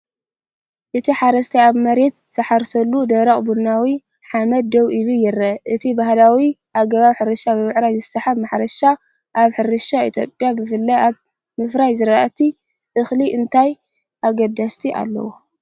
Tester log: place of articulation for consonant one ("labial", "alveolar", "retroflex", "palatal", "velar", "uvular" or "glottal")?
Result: glottal